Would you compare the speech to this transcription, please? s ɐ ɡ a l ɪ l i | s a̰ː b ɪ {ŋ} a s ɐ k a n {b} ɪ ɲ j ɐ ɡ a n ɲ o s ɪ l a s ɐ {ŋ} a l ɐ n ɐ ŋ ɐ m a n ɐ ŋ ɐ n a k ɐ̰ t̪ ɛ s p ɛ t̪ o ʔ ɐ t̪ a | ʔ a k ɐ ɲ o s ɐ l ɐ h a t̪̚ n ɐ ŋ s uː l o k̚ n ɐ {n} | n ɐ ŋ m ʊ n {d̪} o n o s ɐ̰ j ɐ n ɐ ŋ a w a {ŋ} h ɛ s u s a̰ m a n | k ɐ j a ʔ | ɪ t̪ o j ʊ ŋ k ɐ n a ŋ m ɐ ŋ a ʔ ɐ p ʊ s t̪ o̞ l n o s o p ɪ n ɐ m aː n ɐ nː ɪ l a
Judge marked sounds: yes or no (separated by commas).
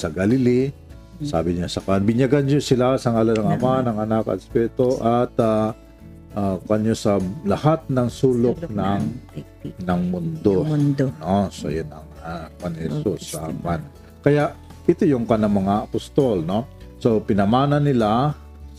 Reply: no, yes, yes, no, yes, no